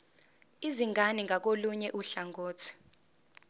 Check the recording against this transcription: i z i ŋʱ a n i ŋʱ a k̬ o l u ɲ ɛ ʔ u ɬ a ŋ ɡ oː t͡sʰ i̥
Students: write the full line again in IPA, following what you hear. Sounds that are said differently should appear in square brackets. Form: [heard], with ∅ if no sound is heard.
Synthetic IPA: i z i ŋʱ a n i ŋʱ a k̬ o l u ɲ ɛ ʔ u ɬ a ŋ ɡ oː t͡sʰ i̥